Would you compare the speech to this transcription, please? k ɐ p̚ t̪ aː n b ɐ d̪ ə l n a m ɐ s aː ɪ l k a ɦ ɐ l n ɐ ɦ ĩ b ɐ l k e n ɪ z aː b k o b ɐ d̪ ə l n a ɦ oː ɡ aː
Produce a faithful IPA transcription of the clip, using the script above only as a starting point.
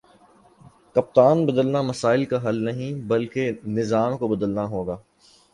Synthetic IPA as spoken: k ɐ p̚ t̪ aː n b ɐ d̪ ə l n a m ɐ s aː ɪ l k a ɦ ɐ l n ɐ ɦ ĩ b ɐ l k e n ɪ z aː m k o b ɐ d̪ ə l n a ɦ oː ɡ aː